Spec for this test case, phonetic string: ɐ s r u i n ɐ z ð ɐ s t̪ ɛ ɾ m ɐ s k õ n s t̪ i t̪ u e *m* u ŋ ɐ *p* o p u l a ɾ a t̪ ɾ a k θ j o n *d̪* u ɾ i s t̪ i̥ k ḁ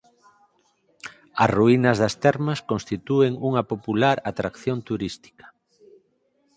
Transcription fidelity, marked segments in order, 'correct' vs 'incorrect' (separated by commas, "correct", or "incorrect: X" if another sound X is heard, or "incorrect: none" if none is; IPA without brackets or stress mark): incorrect: ŋ, correct, incorrect: t̪